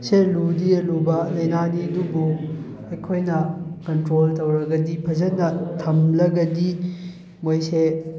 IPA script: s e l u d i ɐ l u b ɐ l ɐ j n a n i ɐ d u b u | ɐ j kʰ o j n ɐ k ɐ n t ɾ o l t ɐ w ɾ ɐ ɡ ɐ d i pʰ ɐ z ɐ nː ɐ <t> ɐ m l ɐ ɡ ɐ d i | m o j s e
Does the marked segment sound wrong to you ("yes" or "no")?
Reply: yes